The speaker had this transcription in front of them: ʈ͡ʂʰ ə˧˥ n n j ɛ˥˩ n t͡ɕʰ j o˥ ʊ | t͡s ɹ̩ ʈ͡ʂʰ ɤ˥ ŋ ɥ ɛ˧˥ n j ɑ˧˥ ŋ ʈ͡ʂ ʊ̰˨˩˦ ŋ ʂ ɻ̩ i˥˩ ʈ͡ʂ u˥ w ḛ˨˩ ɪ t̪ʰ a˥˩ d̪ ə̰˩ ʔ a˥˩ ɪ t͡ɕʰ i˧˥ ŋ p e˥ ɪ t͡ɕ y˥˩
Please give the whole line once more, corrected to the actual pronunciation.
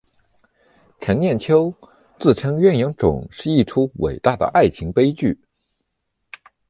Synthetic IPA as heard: ʈ͡ʂʰ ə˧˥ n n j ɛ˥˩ n t͡ɕʰ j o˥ ʊ | t͡s ɹ̩ ʈ͡ʂʰ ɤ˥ ŋ ɥ ɛ˥˩ n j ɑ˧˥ ŋ ʈ͡ʂ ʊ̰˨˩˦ ŋ ʂ ɻ̩ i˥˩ ʈ͡ʂʰ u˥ w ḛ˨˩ ɪ t̪ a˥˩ d̪ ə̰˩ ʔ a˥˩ ɪ t͡ɕʰ i˧˥ ŋ p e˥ ɪ t͡ɕ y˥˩

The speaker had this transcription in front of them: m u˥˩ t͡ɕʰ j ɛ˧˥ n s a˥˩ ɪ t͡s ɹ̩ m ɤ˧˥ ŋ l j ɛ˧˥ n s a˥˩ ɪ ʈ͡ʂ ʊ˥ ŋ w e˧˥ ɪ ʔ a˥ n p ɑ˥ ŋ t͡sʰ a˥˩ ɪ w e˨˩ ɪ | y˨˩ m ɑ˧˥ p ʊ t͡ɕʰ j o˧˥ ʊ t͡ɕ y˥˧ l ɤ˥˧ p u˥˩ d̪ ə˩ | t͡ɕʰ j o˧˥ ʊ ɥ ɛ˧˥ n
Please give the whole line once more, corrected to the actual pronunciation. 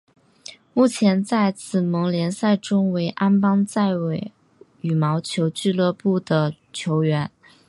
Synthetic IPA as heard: m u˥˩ t͡ɕʰ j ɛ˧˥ n t͡s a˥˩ ɪ t͡s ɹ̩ m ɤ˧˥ ŋ l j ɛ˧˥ n s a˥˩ ɪ ʈ͡ʂ ʊ˥ ŋ w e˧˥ ɪ ʔ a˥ n p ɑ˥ ŋ t͡s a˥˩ ɪ w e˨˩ ɪ | y˨˩ m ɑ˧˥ ʊ t͡ɕʰ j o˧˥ ʊ t͡ɕ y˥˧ l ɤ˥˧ p u˥˩ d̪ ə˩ | t͡ɕʰ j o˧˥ ʊ ɥ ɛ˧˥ n

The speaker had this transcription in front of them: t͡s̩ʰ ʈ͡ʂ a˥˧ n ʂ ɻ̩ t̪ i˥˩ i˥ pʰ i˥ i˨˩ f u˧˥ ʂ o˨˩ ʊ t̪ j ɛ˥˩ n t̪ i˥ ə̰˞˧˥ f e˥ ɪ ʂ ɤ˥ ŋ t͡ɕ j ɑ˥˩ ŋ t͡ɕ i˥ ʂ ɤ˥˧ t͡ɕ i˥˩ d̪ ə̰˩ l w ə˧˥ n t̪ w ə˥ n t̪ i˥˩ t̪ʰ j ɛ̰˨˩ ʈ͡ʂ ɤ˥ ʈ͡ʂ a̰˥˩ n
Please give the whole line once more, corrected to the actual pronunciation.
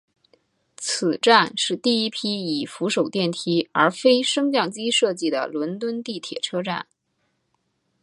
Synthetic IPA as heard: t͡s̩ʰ ʈ͡ʂ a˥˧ n ʂ ɻ̩ t̪ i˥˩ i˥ pʰ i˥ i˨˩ f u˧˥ ʂ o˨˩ ʊ t̪ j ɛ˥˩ n t̪ʰ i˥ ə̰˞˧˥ f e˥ ɪ ʂ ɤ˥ ŋ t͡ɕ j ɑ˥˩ ŋ t͡ɕ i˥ ʂ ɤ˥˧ t͡ɕ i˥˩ d̪ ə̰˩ l w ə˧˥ n t̪ w ə˥ n t̪ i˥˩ t̪ʰ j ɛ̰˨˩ ʈ͡ʂʰ ɤ˥ ʈ͡ʂ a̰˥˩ n

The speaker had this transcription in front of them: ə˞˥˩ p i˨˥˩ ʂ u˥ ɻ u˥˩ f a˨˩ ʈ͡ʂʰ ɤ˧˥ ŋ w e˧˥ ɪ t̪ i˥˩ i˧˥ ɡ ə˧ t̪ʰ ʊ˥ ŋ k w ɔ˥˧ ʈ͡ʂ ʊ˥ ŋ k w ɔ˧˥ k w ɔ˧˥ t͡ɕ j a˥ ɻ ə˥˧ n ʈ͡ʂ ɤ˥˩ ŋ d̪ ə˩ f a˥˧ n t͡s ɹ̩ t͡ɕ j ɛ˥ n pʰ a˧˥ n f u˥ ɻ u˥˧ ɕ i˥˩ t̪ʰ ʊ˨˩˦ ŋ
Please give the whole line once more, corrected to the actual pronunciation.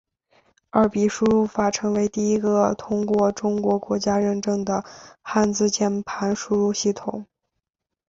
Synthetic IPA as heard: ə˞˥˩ p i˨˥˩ ʂ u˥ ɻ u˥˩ f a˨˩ ʈ͡ʂʰ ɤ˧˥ ŋ w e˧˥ ɪ t̪ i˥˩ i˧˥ ɡ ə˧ t̪ʰ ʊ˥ ŋ k w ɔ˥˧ ʈ͡ʂ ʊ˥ ŋ k w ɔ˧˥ k w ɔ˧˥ t͡ɕ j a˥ ɻ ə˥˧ n ʈ͡ʂ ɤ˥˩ ŋ d̪ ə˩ x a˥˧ n t͡s ɹ̩ t͡ɕ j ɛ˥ n pʰ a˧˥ n ʂ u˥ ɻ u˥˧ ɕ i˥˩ t̪ʰ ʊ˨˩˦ ŋ

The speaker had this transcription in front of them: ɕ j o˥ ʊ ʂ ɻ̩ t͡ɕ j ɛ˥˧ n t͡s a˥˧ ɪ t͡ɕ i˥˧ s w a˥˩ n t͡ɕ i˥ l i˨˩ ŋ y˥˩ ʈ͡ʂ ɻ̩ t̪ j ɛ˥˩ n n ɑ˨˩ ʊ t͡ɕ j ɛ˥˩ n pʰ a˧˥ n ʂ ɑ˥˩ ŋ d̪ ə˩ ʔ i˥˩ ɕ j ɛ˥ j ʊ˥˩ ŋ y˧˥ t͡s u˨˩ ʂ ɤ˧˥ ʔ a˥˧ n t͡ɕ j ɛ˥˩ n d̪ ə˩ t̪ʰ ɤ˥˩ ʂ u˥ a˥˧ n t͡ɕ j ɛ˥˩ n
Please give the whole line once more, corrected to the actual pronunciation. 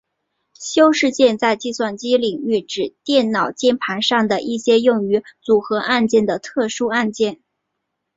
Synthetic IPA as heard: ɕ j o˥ ʊ ʂ ɻ̩ t͡ɕ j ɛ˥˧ n t͡s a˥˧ ɪ t͡ɕ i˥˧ s w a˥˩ n t͡ɕ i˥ l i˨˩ ŋ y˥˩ ʈ͡ʂ ɻ̩ t̪ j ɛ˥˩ n n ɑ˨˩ ʊ t͡ɕ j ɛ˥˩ n pʰ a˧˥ n ʂ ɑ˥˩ ŋ d̪ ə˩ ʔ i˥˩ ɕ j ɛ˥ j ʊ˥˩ ŋ y˧˥ t͡s u˨˩ x ɤ˧˥ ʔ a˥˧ n t͡ɕ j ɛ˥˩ n d̪ ə˩ t̪ʰ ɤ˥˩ ʂ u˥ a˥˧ n t͡ɕ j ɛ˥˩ n

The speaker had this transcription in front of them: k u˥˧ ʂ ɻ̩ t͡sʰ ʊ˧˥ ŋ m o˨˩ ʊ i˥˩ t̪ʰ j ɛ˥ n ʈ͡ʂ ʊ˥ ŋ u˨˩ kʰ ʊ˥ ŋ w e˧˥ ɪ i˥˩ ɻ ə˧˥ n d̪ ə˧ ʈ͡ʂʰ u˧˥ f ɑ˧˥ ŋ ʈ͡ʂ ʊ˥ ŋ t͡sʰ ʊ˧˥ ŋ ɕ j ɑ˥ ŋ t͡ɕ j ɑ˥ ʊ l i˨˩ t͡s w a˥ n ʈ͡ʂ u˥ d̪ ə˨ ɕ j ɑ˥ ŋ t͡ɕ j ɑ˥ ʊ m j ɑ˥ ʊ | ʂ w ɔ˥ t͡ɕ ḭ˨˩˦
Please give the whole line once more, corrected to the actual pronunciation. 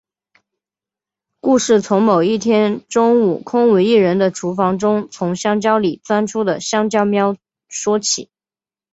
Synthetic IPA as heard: k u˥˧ ʂ ɻ̩ t͡sʰ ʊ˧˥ ŋ m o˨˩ ʊ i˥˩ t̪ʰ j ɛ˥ n ʈ͡ʂ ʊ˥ ŋ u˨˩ kʰ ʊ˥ ŋ w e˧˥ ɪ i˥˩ ɻ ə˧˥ n d̪ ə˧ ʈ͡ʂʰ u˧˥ f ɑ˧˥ ŋ ʈ͡ʂ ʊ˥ ŋ t͡sʰ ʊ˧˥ ŋ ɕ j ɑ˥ ŋ t͡ɕ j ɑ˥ ʊ l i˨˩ t͡s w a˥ n ʈ͡ʂʰ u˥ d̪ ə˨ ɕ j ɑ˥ ŋ t͡ɕ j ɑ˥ ʊ m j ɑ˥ ʊ | ʂ w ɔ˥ t͡ɕʰ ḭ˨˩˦

